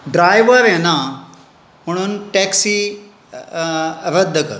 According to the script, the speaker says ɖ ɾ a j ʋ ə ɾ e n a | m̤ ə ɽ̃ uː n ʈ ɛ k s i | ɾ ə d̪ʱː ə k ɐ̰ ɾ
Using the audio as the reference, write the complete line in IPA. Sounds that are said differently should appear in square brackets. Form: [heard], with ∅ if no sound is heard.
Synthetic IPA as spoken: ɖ ɾ a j ʋ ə ɾ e n a | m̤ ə ɽ̃ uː n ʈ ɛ k s i | ɾ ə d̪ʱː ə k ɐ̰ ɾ